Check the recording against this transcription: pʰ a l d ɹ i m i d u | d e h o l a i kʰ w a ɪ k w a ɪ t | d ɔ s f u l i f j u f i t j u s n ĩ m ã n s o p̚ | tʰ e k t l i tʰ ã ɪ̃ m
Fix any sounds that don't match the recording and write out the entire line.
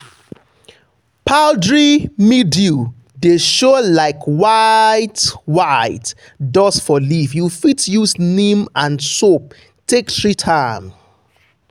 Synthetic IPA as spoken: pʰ a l d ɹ i m i d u | d e ʃ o l a ɪ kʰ w a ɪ t w a ɪ t | d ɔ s f ɔ l i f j u f i t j u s n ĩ m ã n s o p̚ | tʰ e k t ɹ i tʰ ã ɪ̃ m